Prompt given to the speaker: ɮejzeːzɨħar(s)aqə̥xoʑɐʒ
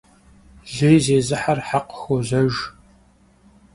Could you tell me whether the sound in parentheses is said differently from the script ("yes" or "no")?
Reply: yes